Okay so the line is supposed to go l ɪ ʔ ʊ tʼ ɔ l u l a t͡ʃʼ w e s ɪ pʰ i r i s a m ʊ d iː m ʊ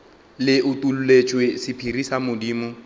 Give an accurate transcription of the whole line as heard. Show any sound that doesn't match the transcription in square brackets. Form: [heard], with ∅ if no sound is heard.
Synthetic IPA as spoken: l ɪ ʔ ʊ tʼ [u] l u l [e] t͡ʃʼ w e s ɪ pʰ i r i s a m ʊ d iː m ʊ